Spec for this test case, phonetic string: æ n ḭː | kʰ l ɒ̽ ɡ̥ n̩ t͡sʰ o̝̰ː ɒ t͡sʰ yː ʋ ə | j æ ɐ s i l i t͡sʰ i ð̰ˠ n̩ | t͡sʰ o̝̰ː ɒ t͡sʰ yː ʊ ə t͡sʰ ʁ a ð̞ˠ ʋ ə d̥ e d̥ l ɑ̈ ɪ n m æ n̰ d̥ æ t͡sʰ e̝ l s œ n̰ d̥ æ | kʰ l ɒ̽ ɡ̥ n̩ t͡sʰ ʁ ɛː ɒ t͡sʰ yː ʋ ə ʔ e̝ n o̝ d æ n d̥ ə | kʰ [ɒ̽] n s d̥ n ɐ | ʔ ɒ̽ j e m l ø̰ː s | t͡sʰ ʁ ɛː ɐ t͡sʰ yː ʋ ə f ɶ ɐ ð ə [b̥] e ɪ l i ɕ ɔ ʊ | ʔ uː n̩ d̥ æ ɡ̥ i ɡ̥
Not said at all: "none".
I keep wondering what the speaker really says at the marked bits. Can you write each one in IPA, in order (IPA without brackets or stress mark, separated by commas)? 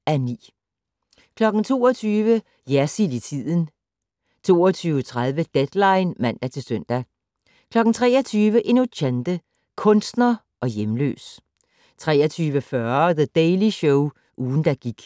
ɔ̽, d̥